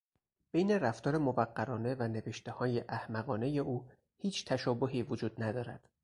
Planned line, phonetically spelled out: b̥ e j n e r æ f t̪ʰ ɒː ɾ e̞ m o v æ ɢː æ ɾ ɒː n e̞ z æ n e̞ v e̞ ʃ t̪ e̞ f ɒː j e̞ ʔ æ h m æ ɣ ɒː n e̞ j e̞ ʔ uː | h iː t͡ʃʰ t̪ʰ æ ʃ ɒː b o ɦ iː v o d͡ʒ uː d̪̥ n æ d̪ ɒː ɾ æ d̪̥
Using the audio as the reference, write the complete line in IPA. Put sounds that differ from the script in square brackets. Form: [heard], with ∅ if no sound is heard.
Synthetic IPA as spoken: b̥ e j n e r æ f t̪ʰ ɒː ɾ e̞ m o v æ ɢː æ ɾ ɒː n e̞ [v] æ n e̞ v e̞ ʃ t̪ e̞ [h] ɒː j e̞ ʔ æ h m æ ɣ ɒː n e̞ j e̞ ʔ uː | h iː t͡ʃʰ t̪ʰ æ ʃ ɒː b o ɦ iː v o d͡ʒ uː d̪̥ n æ d̪ ɒː ɾ æ d̪̥